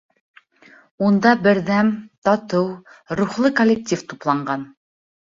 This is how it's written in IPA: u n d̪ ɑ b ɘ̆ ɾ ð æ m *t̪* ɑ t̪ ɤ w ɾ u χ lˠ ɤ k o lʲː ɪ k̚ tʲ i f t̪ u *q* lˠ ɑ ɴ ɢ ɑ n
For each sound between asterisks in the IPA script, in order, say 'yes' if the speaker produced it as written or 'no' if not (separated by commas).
yes, no